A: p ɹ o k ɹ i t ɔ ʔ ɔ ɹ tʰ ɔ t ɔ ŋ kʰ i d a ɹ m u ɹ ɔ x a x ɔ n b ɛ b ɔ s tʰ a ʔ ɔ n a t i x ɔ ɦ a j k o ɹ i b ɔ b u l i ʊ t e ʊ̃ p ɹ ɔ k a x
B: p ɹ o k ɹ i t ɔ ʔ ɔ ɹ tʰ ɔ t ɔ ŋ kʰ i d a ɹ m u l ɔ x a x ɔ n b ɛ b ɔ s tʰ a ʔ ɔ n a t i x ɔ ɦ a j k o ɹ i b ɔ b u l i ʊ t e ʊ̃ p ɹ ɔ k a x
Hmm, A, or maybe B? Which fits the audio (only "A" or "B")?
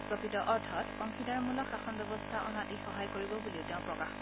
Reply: B